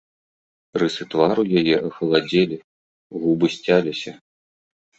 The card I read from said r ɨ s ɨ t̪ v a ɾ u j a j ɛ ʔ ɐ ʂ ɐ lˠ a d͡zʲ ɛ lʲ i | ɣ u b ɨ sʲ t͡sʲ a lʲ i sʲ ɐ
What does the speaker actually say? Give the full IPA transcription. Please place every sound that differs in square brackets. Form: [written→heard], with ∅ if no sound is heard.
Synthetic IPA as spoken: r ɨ s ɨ t̪ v a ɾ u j a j ɛ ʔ ɐ [ʂ→x] ɐ lˠ a d͡zʲ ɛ lʲ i | ɣ u b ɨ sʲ t͡sʲ a lʲ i sʲ ɐ